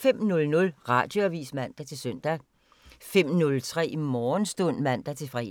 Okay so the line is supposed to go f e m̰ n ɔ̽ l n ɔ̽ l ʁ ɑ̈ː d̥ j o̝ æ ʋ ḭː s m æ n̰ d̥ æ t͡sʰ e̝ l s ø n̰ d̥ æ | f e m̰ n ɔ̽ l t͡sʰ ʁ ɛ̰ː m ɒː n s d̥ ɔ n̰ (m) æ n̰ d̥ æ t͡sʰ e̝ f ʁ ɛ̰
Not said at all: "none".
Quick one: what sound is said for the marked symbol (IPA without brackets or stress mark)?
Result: m